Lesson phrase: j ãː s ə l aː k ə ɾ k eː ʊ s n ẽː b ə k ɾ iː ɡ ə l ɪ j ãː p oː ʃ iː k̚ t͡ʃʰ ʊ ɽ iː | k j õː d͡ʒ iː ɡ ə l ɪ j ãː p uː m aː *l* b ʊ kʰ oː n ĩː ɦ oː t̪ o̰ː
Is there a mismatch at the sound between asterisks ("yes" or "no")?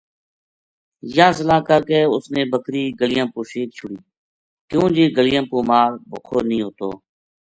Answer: yes